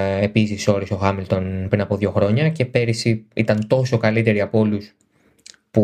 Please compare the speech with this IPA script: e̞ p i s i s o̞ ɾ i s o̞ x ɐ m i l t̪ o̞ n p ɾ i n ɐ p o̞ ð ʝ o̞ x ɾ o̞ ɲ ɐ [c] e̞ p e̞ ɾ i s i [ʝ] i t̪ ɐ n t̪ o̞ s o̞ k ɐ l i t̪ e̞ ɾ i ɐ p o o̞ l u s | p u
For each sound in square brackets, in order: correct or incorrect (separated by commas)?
correct, incorrect